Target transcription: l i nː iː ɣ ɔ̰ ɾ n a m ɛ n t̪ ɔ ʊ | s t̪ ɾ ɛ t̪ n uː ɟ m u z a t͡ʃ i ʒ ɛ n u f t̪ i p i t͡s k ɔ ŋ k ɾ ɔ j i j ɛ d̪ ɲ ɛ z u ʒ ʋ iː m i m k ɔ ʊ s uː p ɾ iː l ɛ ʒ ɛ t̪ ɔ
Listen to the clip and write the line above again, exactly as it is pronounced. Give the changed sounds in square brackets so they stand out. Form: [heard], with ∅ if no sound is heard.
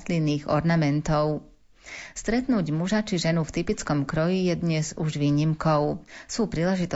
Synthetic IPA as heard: l i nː iː ɣ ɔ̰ ɾ n a m ɛ n t̪ ɔ ʊ | s t̪ ɾ ɛ t̪ n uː ɟ m u [ʒ] a t͡ʃ i ʒ ɛ n u f t̪ i p i t͡s k ɔ [m] k ɾ ɔ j i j ɛ d̪ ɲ ɛ z u ʒ ʋ iː [ɲ] i m k ɔ ʊ s uː p ɾ iː l ɛ ʒ [i] t̪ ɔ